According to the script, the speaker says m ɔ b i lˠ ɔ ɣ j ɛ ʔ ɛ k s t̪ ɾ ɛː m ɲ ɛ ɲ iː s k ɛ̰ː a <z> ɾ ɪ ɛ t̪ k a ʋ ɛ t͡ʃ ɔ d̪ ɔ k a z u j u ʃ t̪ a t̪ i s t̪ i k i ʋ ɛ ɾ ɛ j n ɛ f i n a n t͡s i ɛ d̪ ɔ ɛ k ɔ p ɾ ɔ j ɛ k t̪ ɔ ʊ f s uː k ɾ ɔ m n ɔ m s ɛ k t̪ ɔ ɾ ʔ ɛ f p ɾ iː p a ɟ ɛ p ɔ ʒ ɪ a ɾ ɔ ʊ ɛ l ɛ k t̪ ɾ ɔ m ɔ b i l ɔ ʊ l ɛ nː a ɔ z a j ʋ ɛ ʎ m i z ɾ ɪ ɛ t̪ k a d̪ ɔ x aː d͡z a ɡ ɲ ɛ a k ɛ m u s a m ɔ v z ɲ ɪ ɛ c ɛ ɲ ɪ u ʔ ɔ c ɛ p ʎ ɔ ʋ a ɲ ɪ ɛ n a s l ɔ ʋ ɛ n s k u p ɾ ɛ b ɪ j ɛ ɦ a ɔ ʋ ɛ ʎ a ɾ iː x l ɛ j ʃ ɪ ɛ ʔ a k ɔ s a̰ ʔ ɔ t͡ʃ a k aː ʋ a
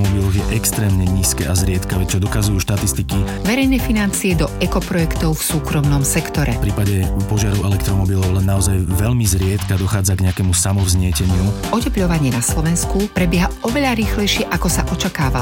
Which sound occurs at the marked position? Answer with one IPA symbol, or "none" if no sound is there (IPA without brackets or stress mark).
z